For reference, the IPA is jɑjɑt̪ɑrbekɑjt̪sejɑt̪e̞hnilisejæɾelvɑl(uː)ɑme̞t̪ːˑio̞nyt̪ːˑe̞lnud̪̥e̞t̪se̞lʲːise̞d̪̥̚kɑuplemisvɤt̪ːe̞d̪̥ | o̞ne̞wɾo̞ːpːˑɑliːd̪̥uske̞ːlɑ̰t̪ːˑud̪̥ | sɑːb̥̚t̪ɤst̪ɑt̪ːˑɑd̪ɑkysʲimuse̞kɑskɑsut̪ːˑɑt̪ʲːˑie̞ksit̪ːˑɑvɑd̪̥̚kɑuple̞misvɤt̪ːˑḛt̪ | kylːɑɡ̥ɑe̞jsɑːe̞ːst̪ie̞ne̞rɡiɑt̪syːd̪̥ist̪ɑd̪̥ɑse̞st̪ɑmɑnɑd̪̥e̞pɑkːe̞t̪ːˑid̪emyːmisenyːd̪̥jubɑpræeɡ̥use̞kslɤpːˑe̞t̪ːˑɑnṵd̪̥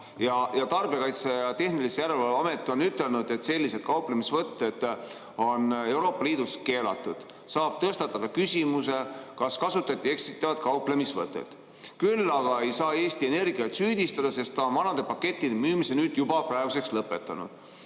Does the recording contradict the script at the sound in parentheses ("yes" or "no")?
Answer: yes